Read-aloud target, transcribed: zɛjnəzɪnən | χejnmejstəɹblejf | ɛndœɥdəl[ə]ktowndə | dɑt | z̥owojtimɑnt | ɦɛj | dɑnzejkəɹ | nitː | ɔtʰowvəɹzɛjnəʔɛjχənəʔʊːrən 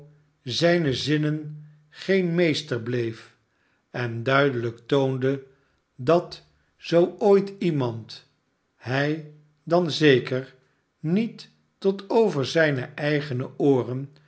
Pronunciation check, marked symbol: correct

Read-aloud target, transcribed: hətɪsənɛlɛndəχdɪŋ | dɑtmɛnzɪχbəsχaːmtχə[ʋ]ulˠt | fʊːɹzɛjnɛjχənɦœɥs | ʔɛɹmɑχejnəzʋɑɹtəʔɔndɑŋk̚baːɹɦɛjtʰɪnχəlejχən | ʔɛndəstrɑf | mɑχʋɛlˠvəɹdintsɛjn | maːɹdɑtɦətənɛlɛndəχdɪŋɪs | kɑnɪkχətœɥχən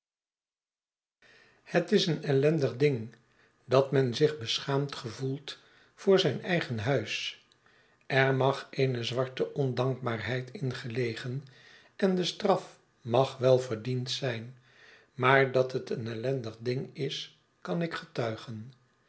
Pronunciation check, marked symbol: incorrect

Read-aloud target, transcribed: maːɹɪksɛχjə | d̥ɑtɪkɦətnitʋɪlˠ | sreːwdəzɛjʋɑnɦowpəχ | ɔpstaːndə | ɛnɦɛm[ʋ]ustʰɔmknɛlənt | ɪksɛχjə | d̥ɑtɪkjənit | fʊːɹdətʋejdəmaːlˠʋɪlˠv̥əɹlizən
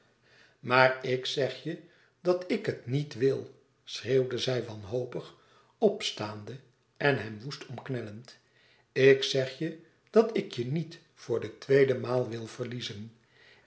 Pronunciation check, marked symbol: correct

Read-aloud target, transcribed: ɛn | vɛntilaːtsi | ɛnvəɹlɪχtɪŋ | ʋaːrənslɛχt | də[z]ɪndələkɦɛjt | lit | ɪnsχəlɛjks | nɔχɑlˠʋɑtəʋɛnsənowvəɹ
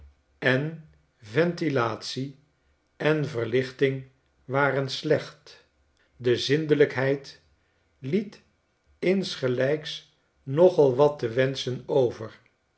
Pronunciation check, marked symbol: correct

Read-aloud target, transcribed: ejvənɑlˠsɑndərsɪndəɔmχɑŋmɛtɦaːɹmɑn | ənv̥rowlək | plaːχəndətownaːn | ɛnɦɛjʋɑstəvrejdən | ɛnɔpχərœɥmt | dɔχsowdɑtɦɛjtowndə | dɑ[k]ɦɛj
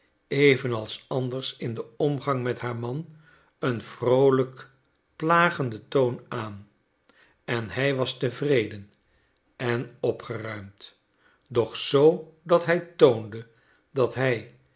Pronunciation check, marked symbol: incorrect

